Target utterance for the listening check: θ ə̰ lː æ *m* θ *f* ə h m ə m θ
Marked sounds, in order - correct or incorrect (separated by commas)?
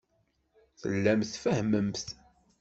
correct, correct